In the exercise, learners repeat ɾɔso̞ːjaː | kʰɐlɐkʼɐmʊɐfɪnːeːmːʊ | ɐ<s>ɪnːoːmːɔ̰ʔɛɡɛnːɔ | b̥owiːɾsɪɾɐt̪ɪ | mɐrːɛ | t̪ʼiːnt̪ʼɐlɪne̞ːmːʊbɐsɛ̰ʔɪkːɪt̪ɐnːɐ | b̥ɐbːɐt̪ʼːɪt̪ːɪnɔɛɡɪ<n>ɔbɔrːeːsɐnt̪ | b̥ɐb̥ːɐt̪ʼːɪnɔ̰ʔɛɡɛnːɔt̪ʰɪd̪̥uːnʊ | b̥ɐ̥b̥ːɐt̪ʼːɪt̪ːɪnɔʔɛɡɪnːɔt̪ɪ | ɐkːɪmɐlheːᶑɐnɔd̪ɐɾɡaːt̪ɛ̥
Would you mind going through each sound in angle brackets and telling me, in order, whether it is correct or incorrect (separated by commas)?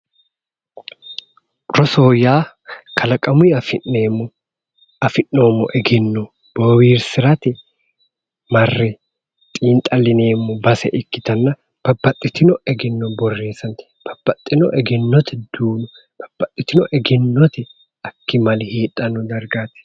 incorrect, incorrect